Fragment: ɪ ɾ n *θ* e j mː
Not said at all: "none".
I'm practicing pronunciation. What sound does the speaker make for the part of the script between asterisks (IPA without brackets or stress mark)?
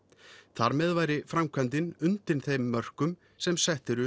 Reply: θ